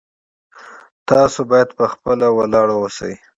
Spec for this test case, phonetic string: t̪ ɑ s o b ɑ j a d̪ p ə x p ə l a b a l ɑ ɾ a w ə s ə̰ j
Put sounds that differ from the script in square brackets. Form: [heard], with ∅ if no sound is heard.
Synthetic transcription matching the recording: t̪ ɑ s o b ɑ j a d̪ p ə x p ə l a [w] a l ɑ [ɽ] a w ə s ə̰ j